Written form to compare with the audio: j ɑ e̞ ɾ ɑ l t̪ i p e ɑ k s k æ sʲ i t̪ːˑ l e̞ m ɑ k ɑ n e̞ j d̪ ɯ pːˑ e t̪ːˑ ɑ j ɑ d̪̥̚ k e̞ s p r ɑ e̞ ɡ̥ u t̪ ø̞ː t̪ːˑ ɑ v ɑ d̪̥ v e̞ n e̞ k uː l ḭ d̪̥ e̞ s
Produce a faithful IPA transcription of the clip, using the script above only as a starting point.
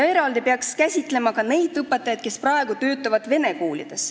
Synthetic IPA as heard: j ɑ e̞ ɾ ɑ l d̪ i p e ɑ k s k æ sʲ i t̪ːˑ l e̞ m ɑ k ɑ n e̞ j d̪ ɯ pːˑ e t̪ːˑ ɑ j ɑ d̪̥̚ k e̞ s p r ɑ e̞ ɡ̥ u t̪ ø̞ː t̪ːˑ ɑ v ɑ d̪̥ v e̞ n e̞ k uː l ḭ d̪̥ e̞ s